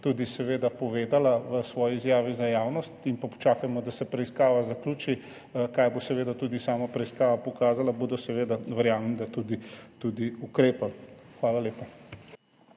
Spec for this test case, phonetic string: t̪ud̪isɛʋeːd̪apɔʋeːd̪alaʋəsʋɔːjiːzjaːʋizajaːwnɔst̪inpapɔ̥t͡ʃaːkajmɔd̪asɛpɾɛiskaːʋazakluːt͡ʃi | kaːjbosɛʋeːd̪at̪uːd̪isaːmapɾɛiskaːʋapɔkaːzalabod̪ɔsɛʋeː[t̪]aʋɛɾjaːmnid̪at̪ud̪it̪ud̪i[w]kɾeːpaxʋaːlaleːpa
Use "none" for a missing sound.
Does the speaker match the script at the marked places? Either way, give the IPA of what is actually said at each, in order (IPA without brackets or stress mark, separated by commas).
d̪, u